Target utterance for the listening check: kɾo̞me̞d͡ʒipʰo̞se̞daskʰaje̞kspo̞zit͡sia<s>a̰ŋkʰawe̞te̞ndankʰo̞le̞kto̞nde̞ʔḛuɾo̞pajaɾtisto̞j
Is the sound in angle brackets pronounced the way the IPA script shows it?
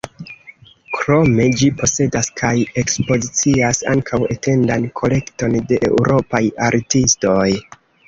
yes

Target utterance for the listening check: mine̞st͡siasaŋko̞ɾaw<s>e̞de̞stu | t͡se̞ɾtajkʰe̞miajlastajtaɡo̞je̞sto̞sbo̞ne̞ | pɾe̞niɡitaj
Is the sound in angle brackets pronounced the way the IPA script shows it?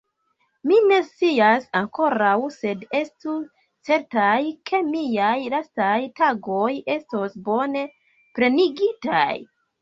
yes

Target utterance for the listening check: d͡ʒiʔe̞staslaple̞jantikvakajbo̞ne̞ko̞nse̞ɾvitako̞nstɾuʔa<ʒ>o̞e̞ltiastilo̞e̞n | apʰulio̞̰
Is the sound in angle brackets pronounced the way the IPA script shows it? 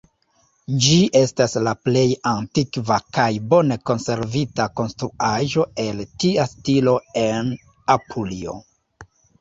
yes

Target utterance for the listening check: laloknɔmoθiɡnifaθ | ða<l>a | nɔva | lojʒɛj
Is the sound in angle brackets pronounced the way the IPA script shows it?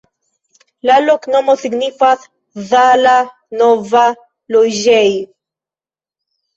yes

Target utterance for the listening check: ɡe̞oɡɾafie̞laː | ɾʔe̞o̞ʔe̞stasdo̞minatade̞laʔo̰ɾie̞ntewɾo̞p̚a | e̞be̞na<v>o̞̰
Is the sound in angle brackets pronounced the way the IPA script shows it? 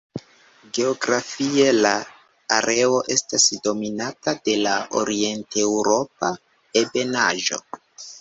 no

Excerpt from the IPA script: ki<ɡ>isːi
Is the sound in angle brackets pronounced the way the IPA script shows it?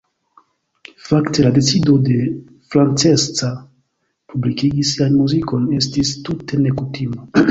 yes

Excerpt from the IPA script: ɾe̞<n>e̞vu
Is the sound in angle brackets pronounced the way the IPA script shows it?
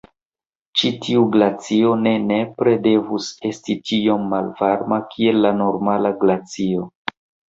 no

